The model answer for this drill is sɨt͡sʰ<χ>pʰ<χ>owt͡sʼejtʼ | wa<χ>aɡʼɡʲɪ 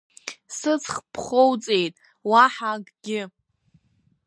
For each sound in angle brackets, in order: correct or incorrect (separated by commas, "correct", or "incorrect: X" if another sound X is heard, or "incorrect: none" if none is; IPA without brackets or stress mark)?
correct, correct, incorrect: ħ